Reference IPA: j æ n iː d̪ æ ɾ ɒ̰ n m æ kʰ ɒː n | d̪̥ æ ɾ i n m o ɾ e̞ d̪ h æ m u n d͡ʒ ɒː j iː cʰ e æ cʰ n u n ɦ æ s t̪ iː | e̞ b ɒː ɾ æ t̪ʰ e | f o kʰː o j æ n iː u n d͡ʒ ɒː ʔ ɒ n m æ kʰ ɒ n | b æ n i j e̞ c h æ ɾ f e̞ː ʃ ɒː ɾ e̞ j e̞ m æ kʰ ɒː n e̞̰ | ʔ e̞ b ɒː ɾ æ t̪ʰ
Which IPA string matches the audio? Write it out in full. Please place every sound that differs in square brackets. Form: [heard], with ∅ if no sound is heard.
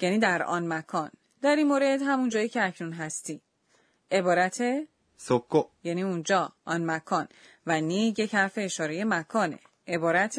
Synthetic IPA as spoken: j æ n iː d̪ æ ɾ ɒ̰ n m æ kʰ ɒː n | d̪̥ æ ɾ i n m o ɾ e̞ d̪ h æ m u n d͡ʒ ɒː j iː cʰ e æ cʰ n u n ɦ æ s t̪ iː | e̞ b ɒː ɾ æ t̪ʰ e | [s] o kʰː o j æ n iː u n d͡ʒ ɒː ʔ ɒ n m æ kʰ ɒ n | [v] æ n i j e̞ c h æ ɾ f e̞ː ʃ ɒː ɾ e̞ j e̞ m æ kʰ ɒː n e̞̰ | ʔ e̞ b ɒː ɾ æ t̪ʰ